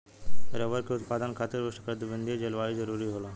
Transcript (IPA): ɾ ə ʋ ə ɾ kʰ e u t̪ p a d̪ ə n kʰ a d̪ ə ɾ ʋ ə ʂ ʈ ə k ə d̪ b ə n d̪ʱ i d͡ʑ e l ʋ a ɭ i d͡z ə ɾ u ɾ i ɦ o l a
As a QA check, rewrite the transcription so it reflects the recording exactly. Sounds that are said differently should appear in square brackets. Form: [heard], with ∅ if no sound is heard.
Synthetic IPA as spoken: ɾ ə ʋ ə ɾ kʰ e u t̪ p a d̪ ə n kʰ a [t̪] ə ɾ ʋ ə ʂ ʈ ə k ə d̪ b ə n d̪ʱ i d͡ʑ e l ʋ a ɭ i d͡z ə ɾ u ɾ i ɦ o l a